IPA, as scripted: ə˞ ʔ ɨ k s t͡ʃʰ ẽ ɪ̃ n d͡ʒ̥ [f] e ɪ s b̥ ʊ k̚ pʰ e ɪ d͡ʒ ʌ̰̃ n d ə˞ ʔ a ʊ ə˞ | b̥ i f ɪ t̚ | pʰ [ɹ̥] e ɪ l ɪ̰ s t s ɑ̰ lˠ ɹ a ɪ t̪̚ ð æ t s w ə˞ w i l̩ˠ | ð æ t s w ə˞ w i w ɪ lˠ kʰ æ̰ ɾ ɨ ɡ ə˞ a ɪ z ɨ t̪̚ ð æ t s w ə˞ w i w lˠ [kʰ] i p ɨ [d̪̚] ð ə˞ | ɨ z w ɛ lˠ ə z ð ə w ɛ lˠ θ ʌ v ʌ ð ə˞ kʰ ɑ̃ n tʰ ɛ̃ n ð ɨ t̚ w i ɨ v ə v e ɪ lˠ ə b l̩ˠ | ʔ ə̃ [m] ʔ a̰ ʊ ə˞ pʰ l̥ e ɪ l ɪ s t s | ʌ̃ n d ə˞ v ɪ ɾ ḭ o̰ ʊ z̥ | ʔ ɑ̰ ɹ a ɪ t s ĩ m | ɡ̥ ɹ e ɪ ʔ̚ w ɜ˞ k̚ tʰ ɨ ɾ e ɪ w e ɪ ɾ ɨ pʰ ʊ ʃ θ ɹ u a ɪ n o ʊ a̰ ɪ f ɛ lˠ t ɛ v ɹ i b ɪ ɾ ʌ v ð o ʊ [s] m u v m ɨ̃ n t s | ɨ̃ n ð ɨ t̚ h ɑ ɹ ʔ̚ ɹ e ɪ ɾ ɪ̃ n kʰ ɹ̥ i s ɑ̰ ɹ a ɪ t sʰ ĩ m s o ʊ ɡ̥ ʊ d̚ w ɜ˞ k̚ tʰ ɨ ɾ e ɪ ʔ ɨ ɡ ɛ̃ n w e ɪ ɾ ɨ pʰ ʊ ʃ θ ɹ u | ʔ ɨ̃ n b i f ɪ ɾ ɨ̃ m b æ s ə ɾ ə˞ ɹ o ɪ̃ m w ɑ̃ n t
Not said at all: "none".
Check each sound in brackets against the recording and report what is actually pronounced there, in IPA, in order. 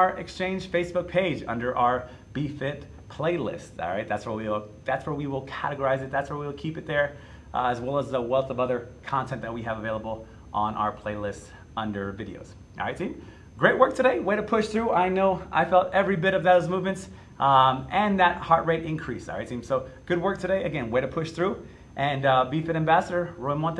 f, l̥, kʰ, t̪̚, n, z

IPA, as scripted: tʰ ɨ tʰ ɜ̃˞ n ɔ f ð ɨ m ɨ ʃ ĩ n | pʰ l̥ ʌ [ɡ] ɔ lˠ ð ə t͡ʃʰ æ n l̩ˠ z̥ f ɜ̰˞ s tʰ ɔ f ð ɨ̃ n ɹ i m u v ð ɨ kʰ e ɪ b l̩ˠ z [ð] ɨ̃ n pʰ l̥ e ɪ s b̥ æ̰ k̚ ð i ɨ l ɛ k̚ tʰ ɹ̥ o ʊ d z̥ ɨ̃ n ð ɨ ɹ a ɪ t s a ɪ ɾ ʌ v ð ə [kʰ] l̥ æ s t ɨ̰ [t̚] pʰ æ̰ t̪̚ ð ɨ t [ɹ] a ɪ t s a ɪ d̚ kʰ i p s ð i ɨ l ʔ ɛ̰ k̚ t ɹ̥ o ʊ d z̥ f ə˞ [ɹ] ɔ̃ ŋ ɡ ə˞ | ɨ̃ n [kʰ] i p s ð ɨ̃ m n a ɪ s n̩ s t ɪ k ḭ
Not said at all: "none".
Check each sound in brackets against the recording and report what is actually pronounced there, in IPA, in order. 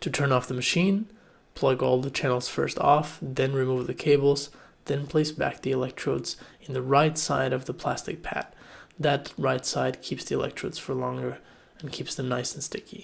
ɡ, ð, pʰ, k̚, ɹ, l, kʰ

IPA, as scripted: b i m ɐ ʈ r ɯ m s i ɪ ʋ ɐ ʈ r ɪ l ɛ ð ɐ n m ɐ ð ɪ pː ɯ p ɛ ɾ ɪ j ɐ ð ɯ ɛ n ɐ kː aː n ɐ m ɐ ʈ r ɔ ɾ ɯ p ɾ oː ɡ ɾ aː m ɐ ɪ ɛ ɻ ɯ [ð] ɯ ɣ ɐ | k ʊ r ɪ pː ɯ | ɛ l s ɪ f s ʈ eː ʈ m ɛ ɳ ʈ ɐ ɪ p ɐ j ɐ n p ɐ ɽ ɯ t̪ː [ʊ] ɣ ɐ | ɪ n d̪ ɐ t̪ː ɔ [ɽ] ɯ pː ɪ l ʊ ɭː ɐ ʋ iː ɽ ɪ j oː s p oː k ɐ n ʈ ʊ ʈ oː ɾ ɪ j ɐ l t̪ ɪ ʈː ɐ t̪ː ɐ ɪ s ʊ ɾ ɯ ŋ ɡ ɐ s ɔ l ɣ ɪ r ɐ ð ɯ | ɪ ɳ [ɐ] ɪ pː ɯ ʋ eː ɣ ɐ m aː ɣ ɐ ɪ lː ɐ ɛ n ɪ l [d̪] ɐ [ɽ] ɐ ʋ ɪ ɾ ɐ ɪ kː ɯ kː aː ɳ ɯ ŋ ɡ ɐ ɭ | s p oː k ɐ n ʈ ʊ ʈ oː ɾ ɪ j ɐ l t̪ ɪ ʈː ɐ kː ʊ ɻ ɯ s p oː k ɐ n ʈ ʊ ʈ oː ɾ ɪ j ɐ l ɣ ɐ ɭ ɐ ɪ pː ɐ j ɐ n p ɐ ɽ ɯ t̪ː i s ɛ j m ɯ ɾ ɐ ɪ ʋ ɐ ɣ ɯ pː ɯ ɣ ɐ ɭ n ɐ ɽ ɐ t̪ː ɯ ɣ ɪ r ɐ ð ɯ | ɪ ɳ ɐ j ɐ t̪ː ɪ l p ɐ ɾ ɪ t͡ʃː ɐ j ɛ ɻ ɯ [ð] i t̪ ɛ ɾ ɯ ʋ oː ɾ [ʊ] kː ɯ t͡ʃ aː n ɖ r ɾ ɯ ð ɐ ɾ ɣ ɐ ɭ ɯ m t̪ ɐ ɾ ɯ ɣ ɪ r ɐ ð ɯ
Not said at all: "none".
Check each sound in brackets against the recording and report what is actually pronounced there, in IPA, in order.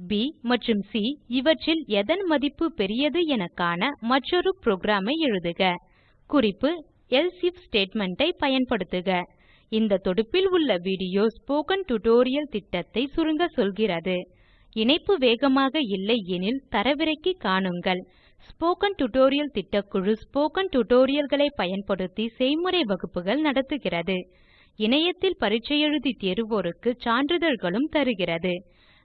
ð, ɯ, ɽ, ɐ, t̪, ɾ, ð, ɯ

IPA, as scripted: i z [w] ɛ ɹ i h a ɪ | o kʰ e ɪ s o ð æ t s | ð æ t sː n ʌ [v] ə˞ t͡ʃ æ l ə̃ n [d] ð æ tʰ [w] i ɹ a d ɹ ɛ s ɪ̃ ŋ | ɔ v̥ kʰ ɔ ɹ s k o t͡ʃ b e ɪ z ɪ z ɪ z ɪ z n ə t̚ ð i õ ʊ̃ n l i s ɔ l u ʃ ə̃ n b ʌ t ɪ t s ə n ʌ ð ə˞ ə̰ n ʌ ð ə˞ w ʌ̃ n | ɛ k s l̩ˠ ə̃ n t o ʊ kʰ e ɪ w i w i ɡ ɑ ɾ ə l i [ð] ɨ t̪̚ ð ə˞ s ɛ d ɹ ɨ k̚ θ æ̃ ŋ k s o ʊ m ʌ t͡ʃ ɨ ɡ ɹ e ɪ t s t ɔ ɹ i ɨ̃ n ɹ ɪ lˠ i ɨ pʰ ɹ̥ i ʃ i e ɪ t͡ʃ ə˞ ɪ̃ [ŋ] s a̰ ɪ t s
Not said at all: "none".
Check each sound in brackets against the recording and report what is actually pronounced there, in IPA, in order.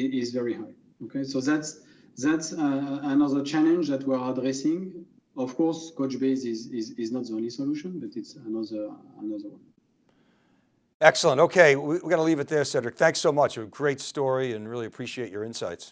v, ð, d͡ʒ, w, v, n

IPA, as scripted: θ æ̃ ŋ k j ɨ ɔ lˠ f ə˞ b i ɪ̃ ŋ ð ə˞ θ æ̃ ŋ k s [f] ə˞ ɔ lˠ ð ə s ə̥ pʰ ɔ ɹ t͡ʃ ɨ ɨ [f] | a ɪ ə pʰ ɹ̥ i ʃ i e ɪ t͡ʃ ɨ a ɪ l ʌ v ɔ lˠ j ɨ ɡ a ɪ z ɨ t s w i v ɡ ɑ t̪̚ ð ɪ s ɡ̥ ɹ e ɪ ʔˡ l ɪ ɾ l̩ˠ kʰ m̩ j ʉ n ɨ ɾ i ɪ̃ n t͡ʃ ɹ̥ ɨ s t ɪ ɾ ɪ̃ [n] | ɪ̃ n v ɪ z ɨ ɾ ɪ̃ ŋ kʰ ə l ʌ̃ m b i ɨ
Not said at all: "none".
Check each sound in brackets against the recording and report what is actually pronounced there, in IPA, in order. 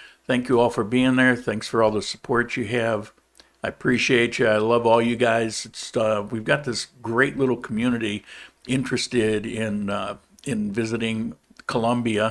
f, v, n

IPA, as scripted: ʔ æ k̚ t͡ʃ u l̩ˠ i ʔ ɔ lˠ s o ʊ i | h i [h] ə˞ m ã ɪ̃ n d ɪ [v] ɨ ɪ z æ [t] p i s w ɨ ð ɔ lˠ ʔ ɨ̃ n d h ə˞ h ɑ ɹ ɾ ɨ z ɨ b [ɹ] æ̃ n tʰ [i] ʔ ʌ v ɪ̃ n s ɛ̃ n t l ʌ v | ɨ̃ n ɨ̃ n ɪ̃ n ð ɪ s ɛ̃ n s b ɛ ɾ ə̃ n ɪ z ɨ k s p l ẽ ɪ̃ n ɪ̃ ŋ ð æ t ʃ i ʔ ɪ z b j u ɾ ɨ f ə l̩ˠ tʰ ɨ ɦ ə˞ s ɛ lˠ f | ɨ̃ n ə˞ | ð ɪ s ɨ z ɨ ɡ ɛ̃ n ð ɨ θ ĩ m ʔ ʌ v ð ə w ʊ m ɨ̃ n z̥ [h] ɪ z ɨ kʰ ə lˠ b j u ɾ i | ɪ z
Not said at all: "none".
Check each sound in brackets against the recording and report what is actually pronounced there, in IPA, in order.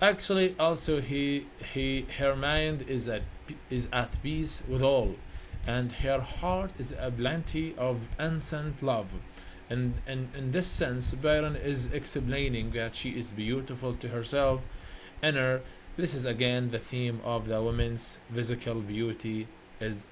h, z, t, l, i, f

